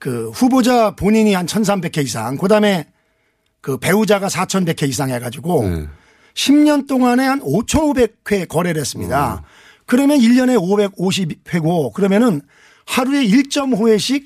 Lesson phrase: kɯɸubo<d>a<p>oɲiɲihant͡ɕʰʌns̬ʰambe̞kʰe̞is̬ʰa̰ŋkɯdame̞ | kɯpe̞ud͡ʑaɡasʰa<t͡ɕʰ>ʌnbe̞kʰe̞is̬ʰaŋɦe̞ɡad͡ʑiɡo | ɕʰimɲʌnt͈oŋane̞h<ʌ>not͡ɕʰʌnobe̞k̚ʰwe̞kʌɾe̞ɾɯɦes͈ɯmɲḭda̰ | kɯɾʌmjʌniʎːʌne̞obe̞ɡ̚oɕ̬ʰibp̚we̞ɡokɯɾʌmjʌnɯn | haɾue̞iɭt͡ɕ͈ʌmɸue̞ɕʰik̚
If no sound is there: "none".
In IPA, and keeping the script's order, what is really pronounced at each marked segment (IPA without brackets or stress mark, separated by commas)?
d͡ʑ, p, t͡ɕʰ, a